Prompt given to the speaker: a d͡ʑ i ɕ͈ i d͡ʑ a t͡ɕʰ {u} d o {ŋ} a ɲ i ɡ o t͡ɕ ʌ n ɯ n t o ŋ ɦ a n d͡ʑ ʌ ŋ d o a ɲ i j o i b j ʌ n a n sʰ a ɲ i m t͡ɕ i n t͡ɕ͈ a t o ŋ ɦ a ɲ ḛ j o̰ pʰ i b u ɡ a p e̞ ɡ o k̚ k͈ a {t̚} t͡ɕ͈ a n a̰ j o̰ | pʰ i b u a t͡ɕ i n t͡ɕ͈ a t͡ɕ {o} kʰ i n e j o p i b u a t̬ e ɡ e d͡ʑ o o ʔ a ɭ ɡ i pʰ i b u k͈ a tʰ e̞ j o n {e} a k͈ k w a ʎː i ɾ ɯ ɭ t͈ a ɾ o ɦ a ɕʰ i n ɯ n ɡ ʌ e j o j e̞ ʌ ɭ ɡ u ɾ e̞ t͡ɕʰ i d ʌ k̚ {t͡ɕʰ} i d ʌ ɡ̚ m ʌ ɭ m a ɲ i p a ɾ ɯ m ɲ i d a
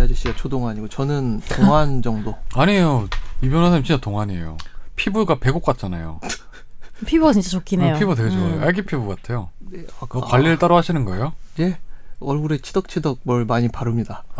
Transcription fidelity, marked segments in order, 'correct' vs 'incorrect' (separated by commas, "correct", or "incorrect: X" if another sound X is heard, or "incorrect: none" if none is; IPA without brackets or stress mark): incorrect: o, correct, correct, correct, correct, correct